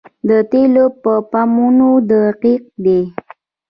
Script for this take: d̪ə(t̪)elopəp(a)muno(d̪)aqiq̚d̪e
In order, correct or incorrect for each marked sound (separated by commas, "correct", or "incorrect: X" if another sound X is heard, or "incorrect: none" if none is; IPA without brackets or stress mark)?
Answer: correct, correct, correct